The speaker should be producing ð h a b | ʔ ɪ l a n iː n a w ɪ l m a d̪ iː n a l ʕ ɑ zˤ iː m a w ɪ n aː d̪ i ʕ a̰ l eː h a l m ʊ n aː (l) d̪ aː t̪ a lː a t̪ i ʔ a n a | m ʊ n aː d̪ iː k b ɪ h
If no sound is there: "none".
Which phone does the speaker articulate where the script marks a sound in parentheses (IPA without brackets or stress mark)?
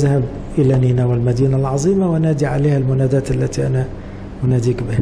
none